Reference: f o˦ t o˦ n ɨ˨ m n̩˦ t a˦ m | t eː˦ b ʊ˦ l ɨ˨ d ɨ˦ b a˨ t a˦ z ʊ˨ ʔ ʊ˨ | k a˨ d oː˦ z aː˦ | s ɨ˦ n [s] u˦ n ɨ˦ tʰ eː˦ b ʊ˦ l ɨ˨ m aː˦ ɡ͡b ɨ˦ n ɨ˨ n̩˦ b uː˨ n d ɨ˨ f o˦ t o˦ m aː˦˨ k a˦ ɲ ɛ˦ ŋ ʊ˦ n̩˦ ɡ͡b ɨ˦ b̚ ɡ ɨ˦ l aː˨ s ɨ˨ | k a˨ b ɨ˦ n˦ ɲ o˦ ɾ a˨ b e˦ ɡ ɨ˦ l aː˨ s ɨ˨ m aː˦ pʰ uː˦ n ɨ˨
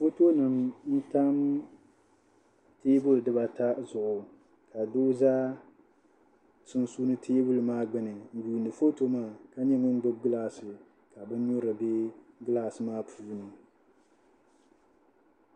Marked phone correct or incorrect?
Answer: correct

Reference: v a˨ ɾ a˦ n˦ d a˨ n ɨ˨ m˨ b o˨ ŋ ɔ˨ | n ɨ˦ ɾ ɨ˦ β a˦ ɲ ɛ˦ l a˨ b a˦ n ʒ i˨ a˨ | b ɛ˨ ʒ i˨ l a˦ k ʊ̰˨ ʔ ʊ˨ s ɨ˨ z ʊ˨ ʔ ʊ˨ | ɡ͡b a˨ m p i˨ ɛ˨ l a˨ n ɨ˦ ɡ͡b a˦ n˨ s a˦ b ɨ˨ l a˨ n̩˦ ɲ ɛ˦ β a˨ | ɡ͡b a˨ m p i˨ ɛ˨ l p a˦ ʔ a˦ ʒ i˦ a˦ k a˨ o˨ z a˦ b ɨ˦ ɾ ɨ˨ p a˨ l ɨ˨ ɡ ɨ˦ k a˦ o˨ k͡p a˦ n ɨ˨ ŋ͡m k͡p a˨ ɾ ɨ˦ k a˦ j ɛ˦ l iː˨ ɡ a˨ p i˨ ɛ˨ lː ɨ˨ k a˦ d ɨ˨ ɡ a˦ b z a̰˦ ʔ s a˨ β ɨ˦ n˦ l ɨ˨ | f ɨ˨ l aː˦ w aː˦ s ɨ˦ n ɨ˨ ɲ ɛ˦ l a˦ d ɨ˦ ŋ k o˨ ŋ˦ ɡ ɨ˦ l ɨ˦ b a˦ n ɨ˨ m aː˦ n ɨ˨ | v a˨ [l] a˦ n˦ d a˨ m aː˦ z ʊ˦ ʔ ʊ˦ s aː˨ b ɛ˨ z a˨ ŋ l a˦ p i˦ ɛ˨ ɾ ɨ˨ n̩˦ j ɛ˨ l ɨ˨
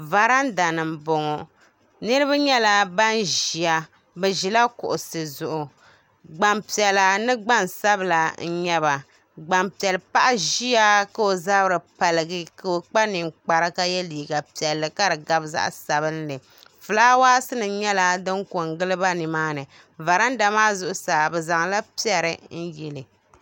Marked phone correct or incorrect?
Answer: incorrect: ɾ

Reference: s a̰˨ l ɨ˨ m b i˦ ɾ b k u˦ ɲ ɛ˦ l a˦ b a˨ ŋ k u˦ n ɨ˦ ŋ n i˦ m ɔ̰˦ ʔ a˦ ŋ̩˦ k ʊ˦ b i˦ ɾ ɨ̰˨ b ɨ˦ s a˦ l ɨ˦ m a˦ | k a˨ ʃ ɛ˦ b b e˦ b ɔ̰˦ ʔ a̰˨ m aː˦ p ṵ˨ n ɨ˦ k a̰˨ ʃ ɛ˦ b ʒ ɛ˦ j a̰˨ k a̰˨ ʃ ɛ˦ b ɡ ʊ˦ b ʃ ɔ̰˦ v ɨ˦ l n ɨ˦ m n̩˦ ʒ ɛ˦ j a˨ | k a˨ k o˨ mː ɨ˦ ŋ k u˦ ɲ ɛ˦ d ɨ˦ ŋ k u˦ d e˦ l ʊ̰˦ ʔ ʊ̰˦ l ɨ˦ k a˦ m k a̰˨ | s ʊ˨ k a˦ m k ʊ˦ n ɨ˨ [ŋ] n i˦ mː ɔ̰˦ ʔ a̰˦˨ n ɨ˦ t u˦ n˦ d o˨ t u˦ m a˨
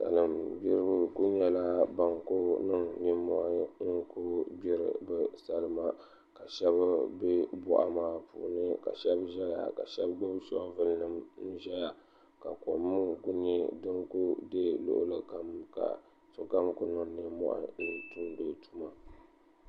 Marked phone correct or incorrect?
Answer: correct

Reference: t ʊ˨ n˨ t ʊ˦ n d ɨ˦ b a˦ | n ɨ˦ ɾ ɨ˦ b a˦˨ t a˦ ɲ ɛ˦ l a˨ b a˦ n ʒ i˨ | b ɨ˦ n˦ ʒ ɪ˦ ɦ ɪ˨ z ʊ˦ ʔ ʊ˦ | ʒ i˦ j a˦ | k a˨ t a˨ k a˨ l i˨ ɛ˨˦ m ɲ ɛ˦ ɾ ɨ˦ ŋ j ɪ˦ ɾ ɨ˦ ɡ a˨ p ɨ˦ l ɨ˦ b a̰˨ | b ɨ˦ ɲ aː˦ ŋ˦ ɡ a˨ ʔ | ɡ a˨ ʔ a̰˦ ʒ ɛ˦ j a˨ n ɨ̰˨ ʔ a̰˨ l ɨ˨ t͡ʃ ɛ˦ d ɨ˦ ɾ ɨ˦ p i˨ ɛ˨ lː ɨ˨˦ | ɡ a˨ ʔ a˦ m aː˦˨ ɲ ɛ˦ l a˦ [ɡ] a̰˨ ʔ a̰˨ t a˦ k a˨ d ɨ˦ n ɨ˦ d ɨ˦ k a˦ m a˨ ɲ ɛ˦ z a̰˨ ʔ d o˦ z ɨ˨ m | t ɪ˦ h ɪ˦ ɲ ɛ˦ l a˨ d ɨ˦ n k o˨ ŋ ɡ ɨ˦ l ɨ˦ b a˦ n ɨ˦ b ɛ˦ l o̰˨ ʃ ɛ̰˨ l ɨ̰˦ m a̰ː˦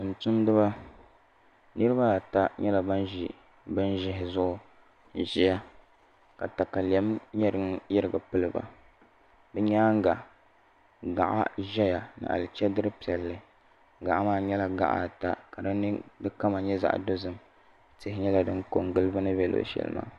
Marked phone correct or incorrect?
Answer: correct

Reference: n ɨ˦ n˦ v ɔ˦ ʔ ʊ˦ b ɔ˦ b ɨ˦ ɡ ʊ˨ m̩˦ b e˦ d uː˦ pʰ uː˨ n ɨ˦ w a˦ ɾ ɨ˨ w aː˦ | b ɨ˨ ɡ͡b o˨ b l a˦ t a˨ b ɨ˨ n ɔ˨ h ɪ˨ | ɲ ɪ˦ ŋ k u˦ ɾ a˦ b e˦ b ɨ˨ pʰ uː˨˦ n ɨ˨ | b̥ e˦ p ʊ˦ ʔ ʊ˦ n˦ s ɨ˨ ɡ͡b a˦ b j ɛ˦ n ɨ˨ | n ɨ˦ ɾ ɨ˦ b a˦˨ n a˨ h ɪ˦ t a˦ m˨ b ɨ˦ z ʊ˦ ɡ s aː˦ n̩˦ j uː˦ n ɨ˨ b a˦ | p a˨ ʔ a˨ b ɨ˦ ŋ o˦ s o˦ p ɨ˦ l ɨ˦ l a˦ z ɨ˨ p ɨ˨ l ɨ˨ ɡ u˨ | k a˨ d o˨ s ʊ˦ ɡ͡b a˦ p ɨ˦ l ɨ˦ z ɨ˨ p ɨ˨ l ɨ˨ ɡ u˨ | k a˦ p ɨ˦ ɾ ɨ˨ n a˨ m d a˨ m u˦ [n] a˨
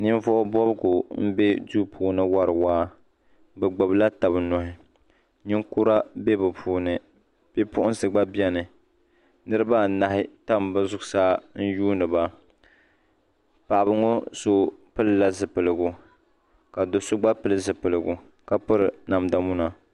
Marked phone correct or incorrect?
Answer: correct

